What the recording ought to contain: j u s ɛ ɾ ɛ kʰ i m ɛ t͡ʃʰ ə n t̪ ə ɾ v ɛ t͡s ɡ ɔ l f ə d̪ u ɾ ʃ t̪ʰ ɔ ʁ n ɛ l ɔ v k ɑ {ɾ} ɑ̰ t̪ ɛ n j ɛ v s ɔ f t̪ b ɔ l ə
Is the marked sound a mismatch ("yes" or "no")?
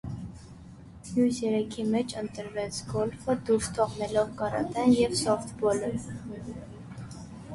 no